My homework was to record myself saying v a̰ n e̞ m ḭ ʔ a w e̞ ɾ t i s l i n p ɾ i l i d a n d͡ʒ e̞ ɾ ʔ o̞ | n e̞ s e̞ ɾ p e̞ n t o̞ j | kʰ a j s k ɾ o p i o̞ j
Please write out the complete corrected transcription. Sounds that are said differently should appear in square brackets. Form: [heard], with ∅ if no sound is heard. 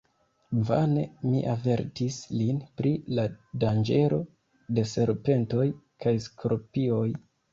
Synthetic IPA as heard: v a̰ n e̞ m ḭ ʔ a [v] e̞ ɾ t i s l i n p ɾ i l [a] d a n d͡ʒ e̞ ɾ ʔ o̞ | [d] e̞ s e̞ ɾ p e̞ n t o̞ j | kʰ a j s k ɾ o p i o̞ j